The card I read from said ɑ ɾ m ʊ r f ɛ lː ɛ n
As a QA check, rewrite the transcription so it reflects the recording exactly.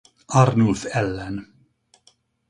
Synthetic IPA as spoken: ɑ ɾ n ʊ l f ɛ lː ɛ n